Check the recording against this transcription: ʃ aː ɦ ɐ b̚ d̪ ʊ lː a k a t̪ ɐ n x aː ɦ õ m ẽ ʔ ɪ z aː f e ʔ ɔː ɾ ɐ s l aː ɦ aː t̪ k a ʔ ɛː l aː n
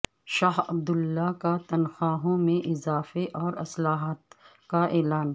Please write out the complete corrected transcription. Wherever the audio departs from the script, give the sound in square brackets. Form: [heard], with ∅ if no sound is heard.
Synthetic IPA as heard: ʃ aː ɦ ɐ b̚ d̪ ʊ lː a k a t̪ ɐ n x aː ɦ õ m ẽ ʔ ɪ z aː f e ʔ ɔː ɾ ɐ s l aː ɦ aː t̪ k a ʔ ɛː l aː n

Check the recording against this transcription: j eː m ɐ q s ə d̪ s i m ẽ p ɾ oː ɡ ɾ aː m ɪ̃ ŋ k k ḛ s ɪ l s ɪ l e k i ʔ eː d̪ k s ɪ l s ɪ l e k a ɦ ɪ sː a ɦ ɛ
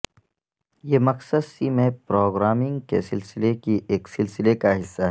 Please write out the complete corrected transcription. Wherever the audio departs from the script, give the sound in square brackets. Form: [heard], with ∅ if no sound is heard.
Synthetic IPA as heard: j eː m ɐ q s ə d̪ s i m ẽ p ɾ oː ɡ ɾ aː m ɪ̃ ŋ [ɡ] k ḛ s ɪ l s ɪ l e k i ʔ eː [∅] k s ɪ l s ɪ l e k a ɦ ɪ sː a ɦ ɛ

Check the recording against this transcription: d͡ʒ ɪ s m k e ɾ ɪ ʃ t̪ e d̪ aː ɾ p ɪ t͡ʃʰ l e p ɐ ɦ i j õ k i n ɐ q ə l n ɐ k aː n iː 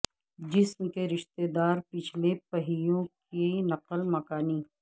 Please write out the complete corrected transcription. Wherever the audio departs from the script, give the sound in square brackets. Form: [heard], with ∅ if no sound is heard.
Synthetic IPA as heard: d͡ʒ ɪ s m k e ɾ ɪ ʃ t̪ e d̪ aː ɾ p ɪ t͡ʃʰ l e p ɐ ɦ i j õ k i n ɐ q ə l [m] ɐ k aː n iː

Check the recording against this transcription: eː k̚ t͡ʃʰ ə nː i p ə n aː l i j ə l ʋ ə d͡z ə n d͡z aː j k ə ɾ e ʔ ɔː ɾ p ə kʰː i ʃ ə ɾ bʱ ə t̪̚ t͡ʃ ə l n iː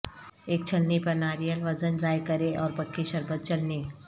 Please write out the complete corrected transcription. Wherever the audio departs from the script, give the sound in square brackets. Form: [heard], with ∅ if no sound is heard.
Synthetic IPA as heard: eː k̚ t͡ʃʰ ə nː i p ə n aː [ɾ] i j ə l ʋ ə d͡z ə n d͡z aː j k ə ɾ e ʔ ɔː ɾ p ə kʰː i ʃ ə ɾ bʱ ə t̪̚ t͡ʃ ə l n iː

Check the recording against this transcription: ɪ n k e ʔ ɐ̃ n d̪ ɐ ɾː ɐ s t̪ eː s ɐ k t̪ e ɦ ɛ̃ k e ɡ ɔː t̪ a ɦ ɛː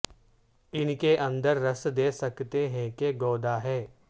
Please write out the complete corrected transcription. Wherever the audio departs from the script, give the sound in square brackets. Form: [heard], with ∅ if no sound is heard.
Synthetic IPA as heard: ɪ n k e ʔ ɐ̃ n d̪ [ə] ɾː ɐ s [d̪] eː s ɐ k t̪ e ɦ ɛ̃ k e ɡ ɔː [d̪] a ɦ ɛː

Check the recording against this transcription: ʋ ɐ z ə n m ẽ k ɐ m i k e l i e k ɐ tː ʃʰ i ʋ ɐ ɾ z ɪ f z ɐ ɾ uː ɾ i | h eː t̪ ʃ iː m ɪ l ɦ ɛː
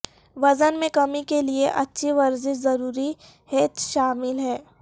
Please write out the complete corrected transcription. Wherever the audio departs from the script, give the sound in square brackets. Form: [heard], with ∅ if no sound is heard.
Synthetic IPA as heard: ʋ ɐ z ə n m ẽ k ɐ m i k e l i e [ʔ] ɐ tː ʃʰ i ʋ ɐ ɾ z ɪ [ʃ] z ɐ ɾ uː ɾ i | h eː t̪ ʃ [aː] m ɪ l ɦ ɛː

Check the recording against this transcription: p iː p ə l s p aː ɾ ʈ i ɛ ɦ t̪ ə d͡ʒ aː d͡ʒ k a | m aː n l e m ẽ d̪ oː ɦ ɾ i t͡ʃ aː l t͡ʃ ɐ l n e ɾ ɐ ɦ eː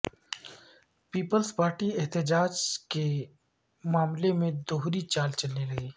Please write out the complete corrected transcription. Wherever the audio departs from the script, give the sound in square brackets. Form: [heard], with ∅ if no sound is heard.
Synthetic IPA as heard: p iː p ə l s p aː ɾ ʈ i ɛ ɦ t̪ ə d͡ʒ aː d͡ʒ k [e] | m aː [m] l e m ẽ d̪ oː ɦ ɾ i t͡ʃ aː l t͡ʃ ɐ l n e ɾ ɐ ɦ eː

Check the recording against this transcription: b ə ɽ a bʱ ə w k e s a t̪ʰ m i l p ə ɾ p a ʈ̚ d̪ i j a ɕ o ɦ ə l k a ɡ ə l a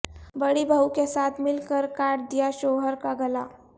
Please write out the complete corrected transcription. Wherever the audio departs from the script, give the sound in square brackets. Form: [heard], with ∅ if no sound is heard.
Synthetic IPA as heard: b ə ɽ [i] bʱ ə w k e s a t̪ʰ m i l [k] ə ɾ [k] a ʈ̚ d̪ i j a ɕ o ɦ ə [ɾ] k a ɡ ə l a

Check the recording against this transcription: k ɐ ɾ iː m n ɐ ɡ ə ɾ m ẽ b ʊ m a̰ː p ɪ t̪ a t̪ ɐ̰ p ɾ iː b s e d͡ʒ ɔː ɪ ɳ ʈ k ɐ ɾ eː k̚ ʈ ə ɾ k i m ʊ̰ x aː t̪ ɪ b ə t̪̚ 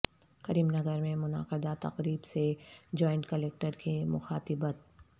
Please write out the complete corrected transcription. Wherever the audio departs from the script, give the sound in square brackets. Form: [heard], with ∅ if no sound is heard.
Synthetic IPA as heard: k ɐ ɾ iː m n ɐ ɡ ə ɾ m ẽ [m] ʊ [n] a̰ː [q] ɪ [d̪] a t̪ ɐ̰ [q] ɾ iː b s e d͡ʒ ɔː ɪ ɳ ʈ k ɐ [l] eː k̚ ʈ ə ɾ k i m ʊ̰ x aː t̪ ɪ b ə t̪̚

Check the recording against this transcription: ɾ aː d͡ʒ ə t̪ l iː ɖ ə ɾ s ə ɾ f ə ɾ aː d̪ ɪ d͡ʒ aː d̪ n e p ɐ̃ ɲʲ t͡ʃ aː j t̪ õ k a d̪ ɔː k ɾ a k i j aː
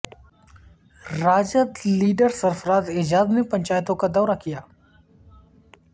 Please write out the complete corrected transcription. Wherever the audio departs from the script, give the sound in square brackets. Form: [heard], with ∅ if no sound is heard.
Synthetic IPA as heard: ɾ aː d͡ʒ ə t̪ l iː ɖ ə ɾ s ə ɾ f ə ɾ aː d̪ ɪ d͡ʒ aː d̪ n e p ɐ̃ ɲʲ t͡ʃ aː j t̪ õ k a d̪ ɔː [∅] ɾ a k i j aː

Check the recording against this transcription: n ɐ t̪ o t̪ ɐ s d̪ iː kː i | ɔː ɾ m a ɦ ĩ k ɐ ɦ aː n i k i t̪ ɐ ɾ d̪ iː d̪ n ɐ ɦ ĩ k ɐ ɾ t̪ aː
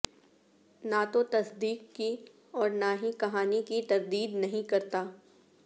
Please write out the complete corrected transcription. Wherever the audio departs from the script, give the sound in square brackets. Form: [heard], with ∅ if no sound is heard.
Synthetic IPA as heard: n [a] t̪ o t̪ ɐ s d̪ iː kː i | ɔː ɾ [n] a ɦ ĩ k ɐ ɦ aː n i k i t̪ ɐ ɾ d̪ iː d̪ n ɐ ɦ ĩ k ɐ ɾ t̪ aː

